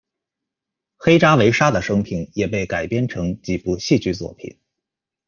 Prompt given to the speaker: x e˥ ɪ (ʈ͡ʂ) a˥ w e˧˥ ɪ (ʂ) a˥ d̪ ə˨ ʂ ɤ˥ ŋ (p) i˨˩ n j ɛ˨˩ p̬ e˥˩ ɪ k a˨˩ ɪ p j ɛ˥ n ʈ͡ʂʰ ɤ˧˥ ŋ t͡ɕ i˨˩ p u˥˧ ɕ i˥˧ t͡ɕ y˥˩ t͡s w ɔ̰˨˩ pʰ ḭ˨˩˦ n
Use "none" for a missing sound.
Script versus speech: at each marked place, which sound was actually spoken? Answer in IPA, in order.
ʈ͡ʂ, ʂ, pʰ

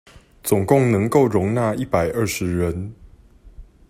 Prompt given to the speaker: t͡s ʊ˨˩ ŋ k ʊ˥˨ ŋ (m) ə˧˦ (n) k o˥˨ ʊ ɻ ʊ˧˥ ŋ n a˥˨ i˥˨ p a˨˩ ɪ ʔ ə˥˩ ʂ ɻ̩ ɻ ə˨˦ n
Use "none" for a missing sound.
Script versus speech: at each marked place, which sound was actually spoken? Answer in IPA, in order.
n, ŋ

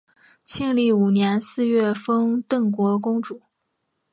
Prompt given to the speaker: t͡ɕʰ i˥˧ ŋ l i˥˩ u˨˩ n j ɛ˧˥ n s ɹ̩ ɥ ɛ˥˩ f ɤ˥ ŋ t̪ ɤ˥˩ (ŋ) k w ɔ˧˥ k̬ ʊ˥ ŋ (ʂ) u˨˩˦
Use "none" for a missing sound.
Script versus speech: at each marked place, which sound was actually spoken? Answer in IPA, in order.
ŋ, ʈ͡ʂ

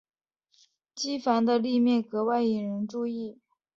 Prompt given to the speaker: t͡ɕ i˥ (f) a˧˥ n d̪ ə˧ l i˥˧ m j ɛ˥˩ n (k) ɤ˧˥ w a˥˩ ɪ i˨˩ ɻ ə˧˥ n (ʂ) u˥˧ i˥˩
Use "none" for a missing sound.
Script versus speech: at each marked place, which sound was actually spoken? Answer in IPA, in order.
f, k, ʈ͡ʂ

